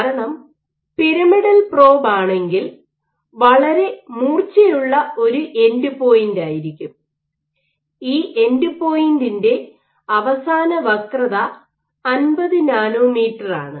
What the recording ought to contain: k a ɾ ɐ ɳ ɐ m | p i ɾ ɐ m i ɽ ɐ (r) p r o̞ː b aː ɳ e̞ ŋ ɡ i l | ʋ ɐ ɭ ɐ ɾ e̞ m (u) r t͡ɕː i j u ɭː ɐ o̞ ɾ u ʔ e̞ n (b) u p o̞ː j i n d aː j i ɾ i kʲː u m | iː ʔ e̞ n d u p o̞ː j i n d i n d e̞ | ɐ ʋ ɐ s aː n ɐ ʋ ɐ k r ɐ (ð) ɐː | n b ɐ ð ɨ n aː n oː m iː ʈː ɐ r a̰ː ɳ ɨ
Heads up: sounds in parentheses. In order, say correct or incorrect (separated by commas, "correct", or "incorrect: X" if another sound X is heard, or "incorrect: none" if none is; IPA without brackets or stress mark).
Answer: incorrect: l, incorrect: uː, incorrect: d, correct